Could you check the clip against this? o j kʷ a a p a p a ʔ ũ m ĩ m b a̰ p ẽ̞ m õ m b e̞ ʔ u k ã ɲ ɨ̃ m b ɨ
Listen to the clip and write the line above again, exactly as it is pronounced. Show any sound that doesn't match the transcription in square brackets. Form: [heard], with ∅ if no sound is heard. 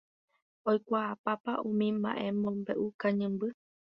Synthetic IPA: o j kʷ a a p a p a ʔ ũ m ĩ m b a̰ [ʔ] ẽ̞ m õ m b e̞ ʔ u k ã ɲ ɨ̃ m b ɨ